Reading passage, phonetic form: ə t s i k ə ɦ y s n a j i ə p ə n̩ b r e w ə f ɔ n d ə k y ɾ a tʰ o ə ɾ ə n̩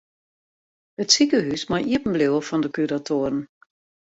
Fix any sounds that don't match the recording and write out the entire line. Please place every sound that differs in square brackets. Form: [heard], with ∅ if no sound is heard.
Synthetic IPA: ə t s i k ə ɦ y s [m] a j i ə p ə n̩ b [l] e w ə f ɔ n d ə k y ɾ a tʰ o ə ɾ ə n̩